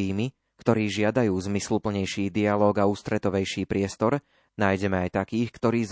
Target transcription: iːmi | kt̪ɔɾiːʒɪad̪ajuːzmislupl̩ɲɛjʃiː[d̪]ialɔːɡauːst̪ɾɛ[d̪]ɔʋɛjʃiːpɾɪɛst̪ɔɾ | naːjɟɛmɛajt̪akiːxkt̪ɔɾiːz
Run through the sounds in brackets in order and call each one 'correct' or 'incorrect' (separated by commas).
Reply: correct, incorrect